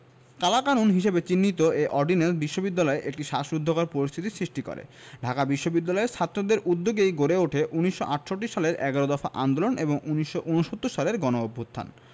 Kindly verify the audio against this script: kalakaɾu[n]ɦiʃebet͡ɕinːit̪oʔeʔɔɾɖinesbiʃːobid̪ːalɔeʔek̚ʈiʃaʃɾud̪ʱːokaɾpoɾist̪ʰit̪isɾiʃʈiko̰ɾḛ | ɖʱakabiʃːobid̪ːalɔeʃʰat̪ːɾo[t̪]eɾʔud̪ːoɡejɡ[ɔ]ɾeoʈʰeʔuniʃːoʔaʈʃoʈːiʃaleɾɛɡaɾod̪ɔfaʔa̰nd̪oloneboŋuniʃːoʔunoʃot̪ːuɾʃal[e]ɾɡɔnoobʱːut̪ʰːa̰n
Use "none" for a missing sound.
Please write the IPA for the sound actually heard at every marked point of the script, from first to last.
n, d̪, o, e

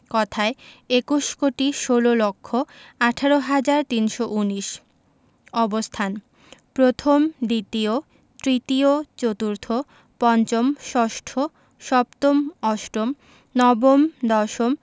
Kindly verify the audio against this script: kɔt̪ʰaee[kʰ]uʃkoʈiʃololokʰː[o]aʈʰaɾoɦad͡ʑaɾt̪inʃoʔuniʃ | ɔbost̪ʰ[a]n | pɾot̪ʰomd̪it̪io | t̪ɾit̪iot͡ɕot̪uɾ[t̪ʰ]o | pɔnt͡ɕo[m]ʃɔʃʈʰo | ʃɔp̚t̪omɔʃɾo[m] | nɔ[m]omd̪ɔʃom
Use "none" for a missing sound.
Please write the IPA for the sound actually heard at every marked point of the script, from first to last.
k, o, a, t̪ʰ, m, m, b

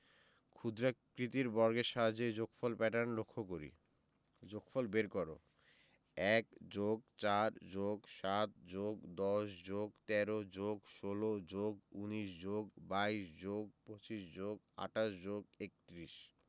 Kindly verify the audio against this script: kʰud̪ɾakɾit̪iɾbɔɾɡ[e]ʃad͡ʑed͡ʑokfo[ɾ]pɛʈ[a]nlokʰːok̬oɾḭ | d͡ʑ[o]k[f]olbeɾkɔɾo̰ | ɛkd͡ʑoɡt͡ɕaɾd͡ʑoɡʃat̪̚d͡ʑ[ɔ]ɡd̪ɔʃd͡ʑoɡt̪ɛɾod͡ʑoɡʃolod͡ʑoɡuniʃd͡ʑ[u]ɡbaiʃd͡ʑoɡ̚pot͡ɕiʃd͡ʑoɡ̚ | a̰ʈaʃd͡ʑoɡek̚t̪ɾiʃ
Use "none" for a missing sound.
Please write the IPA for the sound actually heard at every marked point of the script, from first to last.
e, l, a, o, f, o, o

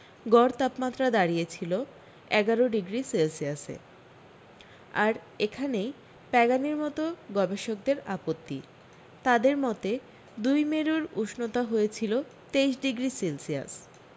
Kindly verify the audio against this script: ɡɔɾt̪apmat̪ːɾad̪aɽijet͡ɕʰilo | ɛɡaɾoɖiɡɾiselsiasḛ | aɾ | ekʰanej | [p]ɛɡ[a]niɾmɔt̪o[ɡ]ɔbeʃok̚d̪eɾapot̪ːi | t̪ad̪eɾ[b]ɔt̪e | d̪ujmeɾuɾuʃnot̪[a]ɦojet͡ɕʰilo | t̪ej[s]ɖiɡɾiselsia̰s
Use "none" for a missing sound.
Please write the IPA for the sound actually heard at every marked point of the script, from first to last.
p, a, ɡ, m, a, ʃ

